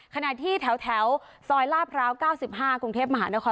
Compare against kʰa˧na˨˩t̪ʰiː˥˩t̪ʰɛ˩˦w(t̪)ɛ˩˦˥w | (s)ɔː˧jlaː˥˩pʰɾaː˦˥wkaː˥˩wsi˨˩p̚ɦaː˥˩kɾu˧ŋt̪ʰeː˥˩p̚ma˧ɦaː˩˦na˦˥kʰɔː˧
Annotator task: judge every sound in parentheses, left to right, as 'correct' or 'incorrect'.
incorrect: t̪ʰ, correct

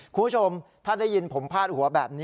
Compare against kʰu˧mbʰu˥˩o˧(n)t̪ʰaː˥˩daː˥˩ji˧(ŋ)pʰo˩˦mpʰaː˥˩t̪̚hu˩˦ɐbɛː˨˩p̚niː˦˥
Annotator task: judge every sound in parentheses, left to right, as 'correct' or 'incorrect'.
incorrect: m, incorrect: n

